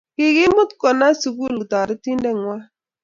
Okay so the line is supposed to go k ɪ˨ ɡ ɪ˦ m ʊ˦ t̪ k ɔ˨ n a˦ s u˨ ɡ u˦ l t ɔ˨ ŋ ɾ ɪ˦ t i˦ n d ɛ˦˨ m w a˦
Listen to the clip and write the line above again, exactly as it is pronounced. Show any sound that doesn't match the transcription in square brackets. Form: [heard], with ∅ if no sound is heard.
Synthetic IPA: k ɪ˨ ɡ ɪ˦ m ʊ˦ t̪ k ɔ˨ n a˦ s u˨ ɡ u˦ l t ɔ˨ [∅] ɾ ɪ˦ t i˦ n d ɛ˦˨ [ŋ] w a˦